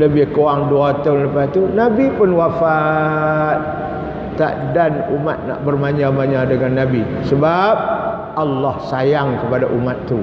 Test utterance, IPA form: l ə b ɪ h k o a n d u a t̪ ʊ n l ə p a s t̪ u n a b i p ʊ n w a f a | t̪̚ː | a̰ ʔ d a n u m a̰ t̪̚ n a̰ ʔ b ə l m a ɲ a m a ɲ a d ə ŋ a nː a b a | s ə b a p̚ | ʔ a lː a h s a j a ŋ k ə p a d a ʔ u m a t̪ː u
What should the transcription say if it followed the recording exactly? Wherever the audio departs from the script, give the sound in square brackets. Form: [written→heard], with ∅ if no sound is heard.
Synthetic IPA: l ə b ɪ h k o a [n→ŋ] d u a t̪ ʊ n l ə p a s t̪ u n a b i p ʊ n w a f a | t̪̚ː | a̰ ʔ d a n u m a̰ t̪̚ n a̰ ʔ b ə [l→r] m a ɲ a m a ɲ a d ə ŋ a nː a b [a→i] | s ə b a p̚ | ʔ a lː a h s a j a ŋ k ə p a d a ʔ u m a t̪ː u